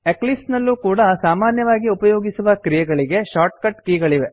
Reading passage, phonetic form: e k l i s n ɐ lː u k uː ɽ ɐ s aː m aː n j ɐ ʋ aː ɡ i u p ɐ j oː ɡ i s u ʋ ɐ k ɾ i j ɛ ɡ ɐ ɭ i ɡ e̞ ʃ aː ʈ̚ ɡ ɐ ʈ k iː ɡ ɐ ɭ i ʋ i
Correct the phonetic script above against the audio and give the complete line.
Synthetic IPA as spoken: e k l i s n ɐ lː u k uː ɽ ɐ s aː m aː n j ɐ ʋ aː ɡ i u p ɐ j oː ɡ i s u ʋ ɐ k ɾ i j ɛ ɡ ɐ ɭ i ɡ e̞ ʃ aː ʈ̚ k ɐ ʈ k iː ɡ ɐ ɭ i ʋ e